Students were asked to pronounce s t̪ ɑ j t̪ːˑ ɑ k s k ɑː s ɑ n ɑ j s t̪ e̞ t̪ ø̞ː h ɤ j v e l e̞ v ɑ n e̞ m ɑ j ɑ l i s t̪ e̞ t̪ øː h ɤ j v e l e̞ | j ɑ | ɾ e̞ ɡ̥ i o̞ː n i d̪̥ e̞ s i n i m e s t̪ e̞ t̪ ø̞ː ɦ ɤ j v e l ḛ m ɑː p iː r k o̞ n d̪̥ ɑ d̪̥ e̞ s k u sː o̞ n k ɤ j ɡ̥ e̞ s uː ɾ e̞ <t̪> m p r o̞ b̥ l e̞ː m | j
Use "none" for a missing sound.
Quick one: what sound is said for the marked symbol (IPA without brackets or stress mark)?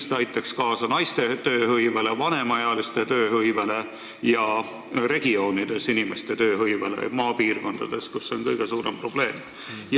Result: none